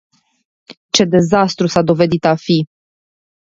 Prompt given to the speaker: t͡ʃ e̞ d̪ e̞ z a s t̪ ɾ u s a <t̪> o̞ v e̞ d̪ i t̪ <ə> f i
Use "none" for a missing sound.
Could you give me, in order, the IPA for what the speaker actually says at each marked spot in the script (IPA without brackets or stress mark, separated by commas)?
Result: d̪, a